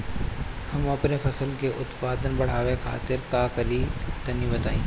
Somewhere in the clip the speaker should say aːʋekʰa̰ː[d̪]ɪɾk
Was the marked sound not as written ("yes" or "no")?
yes